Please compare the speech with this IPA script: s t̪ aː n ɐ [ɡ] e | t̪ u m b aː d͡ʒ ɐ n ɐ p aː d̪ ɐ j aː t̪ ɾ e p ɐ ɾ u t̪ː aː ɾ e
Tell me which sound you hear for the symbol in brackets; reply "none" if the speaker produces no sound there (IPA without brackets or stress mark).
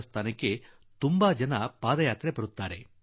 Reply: k